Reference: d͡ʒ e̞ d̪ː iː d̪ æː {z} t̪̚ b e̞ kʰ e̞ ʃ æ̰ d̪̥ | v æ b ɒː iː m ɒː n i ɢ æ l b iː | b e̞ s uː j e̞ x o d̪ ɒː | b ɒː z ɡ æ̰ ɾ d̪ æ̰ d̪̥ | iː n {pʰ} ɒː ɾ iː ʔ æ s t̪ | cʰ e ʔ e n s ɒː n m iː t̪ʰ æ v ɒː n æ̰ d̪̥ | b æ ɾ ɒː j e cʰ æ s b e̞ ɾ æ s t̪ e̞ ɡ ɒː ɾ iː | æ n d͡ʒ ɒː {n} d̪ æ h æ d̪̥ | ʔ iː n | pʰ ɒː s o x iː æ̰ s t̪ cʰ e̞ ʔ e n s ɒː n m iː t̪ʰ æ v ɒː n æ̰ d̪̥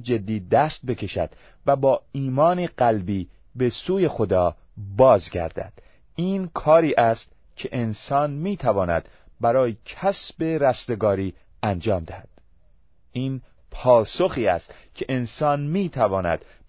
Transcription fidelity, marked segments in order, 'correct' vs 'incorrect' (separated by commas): incorrect, incorrect, incorrect